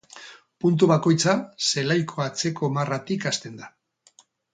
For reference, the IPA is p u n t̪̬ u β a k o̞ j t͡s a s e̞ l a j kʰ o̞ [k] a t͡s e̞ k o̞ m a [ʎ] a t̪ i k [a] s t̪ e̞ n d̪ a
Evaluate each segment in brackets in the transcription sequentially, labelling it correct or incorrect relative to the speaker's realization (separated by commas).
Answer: incorrect, incorrect, correct